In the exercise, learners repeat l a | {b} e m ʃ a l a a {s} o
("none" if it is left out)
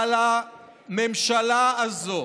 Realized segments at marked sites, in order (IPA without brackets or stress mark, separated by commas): m, z